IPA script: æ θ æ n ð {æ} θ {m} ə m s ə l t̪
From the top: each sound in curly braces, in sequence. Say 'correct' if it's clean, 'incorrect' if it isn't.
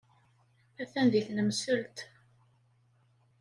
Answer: incorrect: i, incorrect: n

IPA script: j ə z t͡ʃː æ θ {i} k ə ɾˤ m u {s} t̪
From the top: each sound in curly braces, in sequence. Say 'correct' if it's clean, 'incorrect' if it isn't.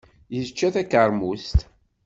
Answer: incorrect: æ, correct

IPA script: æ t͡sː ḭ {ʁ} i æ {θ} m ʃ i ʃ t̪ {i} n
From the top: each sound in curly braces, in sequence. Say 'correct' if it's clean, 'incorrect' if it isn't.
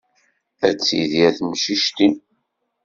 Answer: incorrect: ð, correct, correct

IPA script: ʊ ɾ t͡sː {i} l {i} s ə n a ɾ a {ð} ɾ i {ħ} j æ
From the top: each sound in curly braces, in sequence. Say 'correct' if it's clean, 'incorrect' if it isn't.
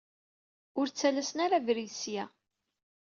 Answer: incorrect: æ, incorrect: æ, incorrect: v, incorrect: s

